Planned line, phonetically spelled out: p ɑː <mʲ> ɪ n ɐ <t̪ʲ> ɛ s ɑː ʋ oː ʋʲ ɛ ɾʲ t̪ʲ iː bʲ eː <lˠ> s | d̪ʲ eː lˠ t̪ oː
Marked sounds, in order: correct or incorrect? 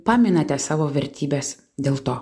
correct, correct, incorrect: none

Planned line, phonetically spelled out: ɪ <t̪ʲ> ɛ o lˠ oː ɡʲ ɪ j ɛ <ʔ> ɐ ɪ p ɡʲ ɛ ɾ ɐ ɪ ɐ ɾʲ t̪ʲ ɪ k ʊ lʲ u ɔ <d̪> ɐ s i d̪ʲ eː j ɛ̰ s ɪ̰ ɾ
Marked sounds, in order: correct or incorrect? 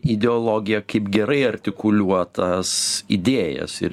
incorrect: d̪ʲ, incorrect: k, incorrect: t̪

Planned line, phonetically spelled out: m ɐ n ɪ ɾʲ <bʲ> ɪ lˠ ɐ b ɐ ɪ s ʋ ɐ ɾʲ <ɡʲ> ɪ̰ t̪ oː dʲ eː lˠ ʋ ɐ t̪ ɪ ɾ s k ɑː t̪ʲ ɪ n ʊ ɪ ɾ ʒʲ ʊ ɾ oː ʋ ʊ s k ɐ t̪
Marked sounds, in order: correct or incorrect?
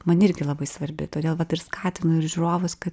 incorrect: ɡʲ, incorrect: bʲ

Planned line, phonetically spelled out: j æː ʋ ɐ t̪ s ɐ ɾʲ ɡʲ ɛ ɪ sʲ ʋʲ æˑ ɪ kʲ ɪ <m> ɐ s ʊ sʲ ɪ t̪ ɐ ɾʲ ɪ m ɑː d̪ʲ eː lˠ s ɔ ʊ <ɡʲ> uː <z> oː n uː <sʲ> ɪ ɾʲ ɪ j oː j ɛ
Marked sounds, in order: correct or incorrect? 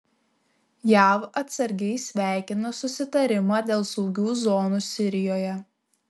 incorrect: n, correct, correct, correct

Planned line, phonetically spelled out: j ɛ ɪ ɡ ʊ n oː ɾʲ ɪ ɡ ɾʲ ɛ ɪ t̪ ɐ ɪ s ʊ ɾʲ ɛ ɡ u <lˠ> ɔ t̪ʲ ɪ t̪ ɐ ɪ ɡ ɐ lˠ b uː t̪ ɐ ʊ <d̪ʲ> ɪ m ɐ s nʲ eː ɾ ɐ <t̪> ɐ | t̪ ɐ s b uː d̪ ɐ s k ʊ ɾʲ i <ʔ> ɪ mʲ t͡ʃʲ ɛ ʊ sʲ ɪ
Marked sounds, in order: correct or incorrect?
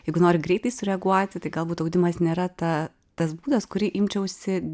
incorrect: none, correct, correct, correct

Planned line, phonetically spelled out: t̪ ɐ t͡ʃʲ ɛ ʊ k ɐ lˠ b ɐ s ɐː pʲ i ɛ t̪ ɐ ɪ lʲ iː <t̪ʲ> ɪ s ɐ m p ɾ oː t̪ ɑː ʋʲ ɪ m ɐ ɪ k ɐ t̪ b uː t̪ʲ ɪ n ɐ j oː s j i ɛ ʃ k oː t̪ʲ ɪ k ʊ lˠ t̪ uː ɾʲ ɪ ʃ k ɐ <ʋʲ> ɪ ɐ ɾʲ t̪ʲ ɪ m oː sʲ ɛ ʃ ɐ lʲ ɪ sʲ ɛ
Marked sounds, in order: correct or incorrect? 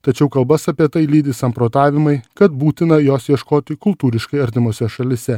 incorrect: d̪ʲ, incorrect: none

